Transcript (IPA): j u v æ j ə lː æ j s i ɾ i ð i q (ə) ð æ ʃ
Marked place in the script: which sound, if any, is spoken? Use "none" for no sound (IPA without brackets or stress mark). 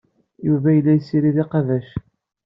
ɑ